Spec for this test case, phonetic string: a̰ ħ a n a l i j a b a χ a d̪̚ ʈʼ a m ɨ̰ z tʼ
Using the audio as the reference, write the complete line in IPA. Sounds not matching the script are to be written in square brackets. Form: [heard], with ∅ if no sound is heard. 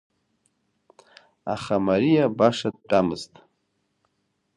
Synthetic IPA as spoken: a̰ [χ] a [m] a [ɾ] i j a b a [ʂ] a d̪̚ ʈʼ a m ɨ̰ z tʼ